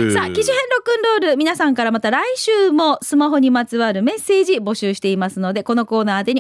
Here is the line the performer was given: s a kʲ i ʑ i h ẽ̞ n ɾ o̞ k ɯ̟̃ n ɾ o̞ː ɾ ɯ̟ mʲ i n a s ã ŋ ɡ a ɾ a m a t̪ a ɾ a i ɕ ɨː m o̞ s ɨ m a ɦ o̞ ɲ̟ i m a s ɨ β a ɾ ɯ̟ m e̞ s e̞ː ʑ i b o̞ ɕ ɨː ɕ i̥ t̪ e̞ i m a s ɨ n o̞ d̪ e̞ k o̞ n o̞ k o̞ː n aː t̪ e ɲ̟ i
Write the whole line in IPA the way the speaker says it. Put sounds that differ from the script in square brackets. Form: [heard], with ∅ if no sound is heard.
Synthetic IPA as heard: s a kʲ i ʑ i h ẽ̞ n ɾ o̞ k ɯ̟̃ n ɾ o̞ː ɾ ɯ̟ mʲ i n a s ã ŋ [k] a ɾ a m a t̪ a ɾ a i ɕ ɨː m o̞ s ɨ m a ɦ o̞ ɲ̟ i m a [t͡s] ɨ β a ɾ ɯ̟ m e̞ s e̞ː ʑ i b o̞ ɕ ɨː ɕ i̥ t̪ e̞ i m a s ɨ n o̞ d̪ e̞ k o̞ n o̞ k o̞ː n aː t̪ e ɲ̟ i